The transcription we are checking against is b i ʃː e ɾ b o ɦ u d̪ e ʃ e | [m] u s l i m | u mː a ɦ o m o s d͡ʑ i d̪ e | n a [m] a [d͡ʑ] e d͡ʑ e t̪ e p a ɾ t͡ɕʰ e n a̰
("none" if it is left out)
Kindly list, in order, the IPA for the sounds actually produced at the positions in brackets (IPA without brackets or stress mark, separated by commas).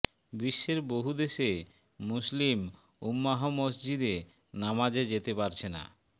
m, m, d͡ʑ